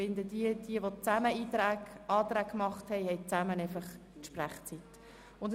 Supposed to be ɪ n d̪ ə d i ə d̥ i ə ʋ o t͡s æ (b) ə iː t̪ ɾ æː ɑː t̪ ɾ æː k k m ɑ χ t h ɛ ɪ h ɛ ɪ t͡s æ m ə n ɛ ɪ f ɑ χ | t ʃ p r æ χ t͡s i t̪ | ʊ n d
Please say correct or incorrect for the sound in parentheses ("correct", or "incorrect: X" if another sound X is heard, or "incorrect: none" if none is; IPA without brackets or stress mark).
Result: incorrect: m